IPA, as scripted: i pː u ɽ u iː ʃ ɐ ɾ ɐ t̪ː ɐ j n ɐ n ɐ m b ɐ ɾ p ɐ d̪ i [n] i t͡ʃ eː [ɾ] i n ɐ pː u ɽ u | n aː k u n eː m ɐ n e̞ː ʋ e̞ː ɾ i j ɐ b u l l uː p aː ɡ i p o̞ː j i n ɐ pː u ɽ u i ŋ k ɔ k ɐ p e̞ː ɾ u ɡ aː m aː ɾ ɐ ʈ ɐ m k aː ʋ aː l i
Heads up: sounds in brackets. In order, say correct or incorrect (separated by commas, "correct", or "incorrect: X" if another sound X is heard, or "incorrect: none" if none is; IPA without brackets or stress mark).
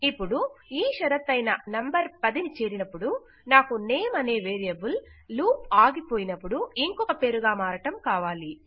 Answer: correct, correct